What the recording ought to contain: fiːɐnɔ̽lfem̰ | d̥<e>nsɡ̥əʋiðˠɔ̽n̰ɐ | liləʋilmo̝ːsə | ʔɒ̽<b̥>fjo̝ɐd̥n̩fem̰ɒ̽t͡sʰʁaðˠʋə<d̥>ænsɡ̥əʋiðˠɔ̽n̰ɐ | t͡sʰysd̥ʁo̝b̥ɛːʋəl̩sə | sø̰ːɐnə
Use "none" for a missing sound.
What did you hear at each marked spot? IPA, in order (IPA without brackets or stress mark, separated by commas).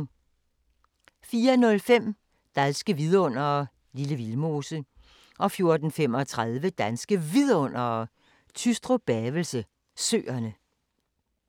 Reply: æ, none, d̥